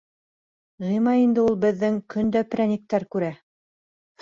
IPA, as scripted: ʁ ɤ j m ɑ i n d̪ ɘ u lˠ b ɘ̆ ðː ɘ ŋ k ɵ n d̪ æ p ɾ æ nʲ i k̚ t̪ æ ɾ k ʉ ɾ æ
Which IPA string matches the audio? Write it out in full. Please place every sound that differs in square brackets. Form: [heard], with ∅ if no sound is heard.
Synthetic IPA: ʁ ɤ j m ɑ i n d̪ ɘ u lˠ b ɘ̆ ðː ɘ ŋ k ɵ n d̪ æ p ɾ æ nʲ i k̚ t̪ æ ɾ k ʉ ɾ æ